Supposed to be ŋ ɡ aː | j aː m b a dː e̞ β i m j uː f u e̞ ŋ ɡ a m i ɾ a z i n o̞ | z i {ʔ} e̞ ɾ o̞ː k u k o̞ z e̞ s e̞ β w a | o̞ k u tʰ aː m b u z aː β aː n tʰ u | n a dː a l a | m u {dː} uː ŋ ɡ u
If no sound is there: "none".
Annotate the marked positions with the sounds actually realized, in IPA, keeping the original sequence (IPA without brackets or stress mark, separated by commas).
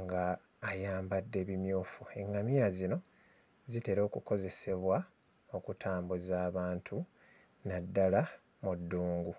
t, dː